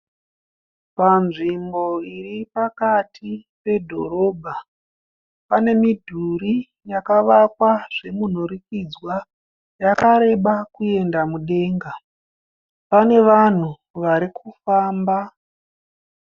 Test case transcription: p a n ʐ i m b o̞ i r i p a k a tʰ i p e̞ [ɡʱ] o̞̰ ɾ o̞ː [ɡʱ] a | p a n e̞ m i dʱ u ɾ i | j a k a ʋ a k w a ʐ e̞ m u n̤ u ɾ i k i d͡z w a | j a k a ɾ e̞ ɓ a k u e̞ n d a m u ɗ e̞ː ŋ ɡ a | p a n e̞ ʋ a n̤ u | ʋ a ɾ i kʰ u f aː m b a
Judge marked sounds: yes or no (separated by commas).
no, no